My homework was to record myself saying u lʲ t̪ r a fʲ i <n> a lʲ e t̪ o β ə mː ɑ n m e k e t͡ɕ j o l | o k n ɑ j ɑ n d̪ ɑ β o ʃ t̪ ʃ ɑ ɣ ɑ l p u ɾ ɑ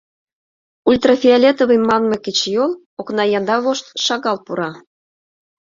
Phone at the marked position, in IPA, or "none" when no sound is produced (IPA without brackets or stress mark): none